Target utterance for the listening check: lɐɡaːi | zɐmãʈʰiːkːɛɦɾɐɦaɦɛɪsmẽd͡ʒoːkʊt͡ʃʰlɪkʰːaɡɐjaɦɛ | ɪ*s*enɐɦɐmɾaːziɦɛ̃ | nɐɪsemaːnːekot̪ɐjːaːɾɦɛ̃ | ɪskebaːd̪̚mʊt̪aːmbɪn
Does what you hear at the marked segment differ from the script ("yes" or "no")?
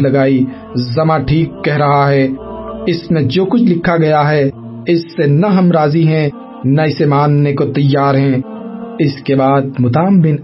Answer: yes